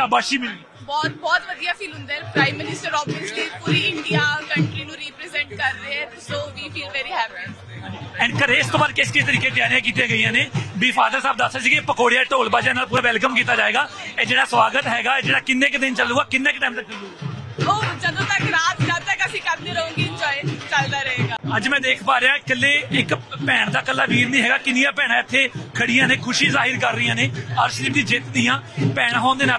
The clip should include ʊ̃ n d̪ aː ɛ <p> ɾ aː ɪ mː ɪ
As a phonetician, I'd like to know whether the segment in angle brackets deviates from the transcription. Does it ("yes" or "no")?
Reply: no